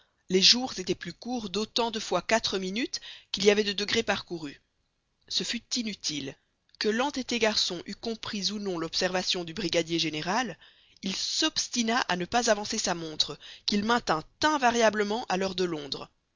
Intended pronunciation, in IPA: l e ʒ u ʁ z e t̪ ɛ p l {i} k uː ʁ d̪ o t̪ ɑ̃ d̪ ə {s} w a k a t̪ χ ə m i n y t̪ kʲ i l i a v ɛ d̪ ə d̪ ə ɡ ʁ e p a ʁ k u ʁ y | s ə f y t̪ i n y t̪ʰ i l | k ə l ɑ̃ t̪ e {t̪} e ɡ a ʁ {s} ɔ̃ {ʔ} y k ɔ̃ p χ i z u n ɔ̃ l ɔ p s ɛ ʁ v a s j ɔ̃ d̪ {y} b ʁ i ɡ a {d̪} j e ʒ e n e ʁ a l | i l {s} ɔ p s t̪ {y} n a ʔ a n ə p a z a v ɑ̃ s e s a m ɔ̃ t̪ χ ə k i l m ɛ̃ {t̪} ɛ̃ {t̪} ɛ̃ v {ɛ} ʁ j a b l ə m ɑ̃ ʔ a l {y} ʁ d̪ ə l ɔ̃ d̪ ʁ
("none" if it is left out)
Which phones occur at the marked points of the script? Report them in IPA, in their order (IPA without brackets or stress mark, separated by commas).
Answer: y, f, t̪, s, ʔ, y, d̪, s, i, t̪, t̪, a, œ